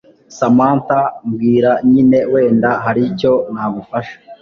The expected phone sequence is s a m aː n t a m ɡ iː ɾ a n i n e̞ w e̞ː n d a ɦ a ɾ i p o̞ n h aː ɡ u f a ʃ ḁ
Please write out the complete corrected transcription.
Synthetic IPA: s a m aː n t a m ɡ iː ɾ a ɲ i n e̞ w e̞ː n d a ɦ a ɾ i c o̞ n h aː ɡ u f a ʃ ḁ